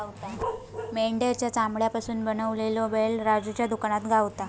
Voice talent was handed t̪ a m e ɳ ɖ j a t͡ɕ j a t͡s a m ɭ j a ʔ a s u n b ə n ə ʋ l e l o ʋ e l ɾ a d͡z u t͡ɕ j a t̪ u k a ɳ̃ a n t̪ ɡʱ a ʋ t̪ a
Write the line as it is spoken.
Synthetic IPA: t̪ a m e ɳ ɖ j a t͡ɕ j a t͡s a m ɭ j a p a s uː n b ə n ə ʋ l e l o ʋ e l ɾ a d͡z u t͡ɕ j a d̪ u k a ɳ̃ a t̪ ɡʱ a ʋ t̪ a